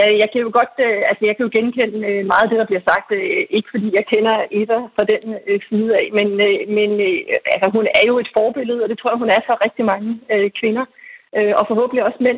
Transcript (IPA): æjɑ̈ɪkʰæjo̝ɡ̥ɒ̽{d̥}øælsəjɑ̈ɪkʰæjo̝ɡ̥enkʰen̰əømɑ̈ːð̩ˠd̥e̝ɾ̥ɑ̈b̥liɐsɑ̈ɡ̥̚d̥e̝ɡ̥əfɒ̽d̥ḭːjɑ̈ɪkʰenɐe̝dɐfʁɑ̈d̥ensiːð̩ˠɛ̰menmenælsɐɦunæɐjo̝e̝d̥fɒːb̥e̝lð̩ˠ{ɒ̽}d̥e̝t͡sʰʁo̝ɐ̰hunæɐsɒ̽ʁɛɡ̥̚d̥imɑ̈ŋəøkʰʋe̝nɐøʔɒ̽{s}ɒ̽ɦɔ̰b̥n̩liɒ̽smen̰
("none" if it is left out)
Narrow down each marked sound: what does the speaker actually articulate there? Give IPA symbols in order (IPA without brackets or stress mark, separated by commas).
d̥, ɒ̽, f